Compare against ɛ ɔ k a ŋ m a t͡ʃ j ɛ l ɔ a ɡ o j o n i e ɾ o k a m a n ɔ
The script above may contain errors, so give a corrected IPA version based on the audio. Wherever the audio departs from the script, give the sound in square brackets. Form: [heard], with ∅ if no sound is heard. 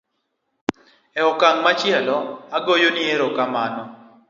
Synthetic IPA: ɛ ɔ k a ŋ m a t͡ʃ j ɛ l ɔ a ɡ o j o n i e ɾ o k a m a n ɔ